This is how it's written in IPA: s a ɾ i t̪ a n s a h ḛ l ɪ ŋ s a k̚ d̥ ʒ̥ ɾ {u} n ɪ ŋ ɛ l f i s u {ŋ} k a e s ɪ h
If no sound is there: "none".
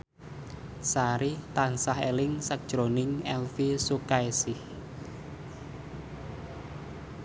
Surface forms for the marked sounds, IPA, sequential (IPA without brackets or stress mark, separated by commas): o, none